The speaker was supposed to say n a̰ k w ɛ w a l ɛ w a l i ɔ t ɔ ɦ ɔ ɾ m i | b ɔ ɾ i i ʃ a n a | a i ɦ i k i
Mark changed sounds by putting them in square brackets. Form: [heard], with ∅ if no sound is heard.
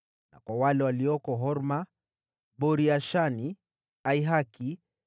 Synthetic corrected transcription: n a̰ k w [a] w a l ɛ w a l i ɔ [k] ɔ ɦ ɔ ɾ m [a] | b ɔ ɾ i [a] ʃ a n [i] | a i ɦ [a] k i